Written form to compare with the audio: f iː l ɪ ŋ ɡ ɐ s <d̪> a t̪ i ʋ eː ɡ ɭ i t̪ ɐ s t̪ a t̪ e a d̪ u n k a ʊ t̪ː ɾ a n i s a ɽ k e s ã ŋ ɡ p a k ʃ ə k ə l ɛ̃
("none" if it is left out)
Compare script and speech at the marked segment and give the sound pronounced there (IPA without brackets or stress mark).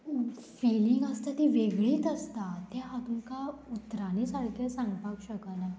t̪